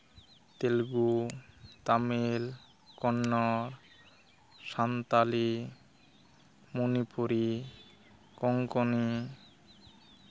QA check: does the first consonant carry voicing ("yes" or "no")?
no